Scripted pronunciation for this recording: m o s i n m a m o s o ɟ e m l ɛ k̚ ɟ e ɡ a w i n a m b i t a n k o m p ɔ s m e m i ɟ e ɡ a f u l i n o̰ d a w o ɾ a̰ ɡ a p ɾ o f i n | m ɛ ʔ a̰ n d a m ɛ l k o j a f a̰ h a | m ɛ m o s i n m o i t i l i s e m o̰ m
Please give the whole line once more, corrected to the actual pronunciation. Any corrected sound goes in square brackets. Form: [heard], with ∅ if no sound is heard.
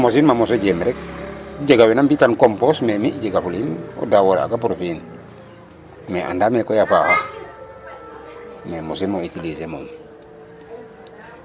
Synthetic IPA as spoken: m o s i n m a m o s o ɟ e m [ɾ] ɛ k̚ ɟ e ɡ a w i n a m b i t a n k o m p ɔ s m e m i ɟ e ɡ a f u l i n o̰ d a w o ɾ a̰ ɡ a p ɾ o f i n | m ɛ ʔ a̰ n d a m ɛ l k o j a f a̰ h a | m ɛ m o s i n m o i t i l i s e m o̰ m